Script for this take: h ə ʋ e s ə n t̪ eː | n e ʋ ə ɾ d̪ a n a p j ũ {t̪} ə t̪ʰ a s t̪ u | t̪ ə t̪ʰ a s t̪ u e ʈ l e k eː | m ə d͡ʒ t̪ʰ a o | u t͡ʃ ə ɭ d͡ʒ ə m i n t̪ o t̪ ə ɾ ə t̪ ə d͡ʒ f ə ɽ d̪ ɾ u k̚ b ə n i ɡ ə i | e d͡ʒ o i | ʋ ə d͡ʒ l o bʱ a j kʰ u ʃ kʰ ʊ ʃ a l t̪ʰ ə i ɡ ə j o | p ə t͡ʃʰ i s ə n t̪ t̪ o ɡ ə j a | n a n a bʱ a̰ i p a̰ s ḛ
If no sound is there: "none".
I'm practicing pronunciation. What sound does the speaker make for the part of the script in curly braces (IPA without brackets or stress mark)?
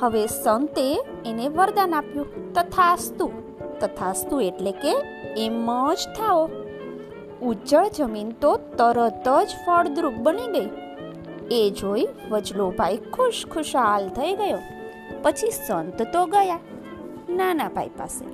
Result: t̪